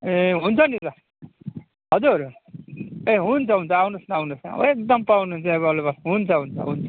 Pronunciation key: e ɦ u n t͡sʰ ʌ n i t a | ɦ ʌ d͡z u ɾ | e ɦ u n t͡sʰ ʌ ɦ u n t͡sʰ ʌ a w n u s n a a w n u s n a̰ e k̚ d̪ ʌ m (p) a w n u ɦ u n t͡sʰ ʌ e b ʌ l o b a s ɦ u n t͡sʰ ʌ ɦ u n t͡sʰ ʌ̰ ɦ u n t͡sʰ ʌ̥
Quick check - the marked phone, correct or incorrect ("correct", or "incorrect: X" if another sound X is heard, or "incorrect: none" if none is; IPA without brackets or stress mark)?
correct